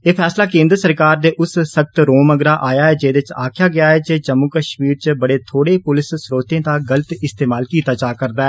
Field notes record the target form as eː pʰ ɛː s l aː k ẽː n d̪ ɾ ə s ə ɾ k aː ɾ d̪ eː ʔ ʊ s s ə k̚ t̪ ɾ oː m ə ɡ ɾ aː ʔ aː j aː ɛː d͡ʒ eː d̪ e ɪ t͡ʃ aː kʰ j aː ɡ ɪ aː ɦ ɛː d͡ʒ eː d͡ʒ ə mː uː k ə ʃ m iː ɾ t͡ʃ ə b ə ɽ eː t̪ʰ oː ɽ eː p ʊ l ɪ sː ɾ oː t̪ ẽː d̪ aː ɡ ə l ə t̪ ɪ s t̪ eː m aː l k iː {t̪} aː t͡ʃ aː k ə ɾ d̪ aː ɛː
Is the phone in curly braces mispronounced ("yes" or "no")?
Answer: no